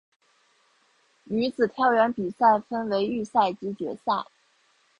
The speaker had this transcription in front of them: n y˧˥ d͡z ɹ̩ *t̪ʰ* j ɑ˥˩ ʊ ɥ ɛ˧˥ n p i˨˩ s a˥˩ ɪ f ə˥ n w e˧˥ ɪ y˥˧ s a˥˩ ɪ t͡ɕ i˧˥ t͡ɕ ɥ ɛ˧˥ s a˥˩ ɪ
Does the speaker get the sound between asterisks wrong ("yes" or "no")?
no